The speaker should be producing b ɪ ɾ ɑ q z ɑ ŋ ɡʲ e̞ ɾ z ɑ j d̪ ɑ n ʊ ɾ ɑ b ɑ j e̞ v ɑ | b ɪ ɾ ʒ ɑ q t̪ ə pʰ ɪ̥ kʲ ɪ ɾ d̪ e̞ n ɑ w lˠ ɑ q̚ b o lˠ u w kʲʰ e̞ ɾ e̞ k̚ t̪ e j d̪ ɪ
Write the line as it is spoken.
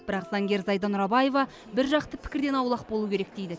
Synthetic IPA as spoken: b ɪ ɾ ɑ q z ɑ ŋ ɡʲ e̞ ɾ z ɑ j d̪ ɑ n ʊ ɾ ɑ b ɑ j e̞ v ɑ | b ɪ ɾ ʒ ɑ q t̪ ə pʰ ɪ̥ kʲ ɪ ɾ d̪ e̞ n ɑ w lˠ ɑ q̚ b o lˠ u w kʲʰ e̞ ɾ e̞ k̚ d̪ e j d̪ ɪ